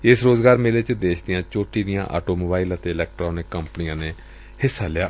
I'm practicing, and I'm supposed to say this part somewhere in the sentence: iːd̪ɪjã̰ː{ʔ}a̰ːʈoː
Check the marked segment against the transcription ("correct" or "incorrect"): correct